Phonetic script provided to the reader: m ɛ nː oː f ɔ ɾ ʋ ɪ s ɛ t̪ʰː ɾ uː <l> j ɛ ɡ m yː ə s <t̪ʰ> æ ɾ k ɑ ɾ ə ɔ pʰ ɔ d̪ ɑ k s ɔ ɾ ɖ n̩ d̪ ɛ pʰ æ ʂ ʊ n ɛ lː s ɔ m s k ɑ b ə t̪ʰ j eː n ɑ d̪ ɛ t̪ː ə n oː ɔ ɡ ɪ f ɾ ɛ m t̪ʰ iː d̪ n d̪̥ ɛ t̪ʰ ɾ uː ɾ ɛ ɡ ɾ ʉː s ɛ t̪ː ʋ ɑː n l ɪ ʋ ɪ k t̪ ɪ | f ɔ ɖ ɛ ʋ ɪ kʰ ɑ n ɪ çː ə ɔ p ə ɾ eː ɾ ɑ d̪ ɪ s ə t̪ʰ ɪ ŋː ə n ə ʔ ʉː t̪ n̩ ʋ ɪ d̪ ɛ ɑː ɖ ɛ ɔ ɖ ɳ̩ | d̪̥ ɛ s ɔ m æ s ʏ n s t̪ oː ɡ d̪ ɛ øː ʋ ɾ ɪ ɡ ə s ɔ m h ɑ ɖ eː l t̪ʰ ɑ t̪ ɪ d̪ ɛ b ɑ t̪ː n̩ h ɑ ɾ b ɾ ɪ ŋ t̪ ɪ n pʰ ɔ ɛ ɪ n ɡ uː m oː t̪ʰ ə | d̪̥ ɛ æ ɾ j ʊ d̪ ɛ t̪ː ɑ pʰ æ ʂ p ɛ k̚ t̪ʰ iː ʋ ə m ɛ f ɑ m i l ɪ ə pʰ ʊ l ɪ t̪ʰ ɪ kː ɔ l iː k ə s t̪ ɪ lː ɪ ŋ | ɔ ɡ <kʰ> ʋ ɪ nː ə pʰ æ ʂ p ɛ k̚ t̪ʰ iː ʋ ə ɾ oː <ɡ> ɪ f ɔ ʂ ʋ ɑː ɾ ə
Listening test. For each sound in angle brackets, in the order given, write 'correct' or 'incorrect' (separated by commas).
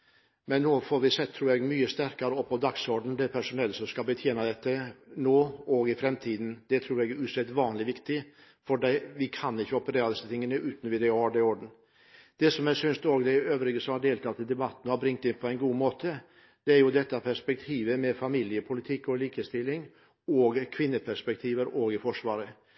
incorrect, incorrect, correct, correct